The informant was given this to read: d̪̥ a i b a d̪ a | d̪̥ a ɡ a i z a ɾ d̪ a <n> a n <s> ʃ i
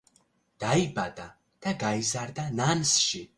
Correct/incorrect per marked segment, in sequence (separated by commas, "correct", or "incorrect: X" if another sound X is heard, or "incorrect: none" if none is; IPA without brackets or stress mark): correct, correct